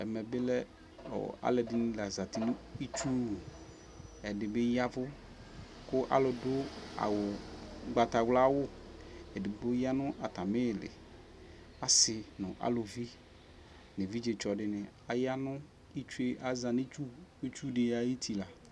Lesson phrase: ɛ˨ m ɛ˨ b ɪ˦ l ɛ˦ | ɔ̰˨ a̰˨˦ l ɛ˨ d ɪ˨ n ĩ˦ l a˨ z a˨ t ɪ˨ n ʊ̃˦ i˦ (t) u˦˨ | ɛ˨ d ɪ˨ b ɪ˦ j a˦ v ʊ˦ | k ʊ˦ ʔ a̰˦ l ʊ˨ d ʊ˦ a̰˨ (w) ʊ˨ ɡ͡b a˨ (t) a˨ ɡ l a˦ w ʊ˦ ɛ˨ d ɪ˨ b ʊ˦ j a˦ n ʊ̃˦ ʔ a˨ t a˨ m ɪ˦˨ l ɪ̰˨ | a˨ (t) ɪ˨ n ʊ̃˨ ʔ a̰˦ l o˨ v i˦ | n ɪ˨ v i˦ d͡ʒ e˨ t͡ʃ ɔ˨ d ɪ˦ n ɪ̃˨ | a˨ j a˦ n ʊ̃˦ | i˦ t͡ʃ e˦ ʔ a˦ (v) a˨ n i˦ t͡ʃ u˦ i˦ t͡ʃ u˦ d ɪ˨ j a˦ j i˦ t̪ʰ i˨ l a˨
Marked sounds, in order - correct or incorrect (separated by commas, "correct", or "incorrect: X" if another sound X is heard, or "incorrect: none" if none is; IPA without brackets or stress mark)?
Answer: incorrect: t͡ʃ, correct, correct, incorrect: s, incorrect: z